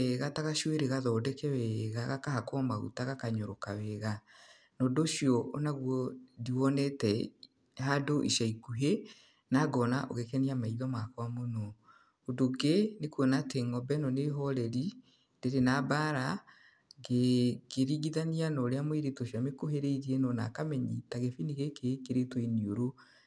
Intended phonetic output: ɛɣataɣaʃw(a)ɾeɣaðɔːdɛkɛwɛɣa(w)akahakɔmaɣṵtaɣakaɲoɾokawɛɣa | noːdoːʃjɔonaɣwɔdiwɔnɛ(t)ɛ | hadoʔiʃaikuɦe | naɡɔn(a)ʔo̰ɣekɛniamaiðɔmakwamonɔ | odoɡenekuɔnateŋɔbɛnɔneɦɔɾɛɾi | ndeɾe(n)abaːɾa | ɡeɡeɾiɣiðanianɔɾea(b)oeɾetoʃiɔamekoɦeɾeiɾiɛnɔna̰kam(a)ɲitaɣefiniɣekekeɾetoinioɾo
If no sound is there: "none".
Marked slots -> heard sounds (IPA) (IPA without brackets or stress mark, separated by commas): e, ɣ, t, a, n, m, ɛ